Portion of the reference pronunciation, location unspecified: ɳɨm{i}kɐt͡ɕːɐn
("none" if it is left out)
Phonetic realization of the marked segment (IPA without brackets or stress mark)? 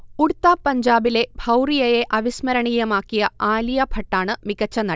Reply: i